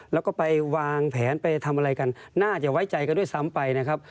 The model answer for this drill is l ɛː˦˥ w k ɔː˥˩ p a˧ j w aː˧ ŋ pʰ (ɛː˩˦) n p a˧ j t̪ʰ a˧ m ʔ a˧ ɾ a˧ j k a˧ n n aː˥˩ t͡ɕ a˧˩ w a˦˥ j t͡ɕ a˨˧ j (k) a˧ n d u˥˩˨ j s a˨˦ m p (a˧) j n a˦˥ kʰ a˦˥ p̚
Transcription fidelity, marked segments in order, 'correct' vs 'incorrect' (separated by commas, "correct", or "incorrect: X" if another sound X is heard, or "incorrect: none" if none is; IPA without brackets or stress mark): correct, correct, correct